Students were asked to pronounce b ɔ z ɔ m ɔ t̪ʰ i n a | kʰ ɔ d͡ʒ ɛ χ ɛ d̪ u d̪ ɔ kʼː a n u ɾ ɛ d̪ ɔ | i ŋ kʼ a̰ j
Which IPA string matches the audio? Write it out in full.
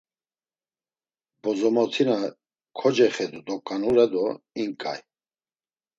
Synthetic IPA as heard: b ɔ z ɔ m ɔ t̪ʰ i n a | kʰ ɔ d͡ʒ ɛ χ ɛ d̪ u d̪ ɔ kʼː a n u ɾ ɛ d̪ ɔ | i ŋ kʼ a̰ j